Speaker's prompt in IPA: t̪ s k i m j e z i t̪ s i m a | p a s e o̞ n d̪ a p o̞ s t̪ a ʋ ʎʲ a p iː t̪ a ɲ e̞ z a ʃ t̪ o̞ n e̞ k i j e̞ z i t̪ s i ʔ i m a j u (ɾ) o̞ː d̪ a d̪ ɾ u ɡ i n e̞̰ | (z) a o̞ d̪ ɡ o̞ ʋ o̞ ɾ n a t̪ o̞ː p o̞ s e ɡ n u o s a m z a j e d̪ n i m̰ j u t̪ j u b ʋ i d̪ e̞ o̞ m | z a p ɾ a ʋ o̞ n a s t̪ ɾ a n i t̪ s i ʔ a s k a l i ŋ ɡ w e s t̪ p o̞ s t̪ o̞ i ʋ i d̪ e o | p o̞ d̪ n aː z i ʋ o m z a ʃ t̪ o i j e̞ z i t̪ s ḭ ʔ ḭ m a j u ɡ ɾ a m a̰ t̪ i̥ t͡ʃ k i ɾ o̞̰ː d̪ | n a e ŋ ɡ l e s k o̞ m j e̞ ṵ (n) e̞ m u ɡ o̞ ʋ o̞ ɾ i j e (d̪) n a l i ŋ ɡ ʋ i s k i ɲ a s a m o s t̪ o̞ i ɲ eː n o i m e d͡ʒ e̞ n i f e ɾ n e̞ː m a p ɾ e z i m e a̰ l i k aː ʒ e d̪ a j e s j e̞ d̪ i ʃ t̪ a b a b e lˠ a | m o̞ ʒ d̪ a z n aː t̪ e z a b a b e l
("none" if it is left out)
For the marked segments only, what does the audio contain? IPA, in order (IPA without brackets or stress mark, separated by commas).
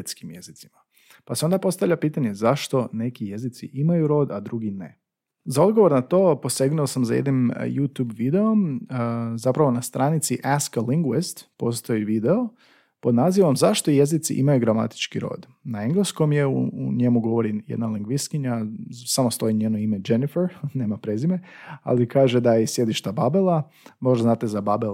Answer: ɾ, z, ɲ, d̪